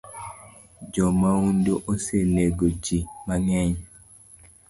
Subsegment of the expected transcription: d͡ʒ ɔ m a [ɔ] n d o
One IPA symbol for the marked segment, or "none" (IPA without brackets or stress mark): u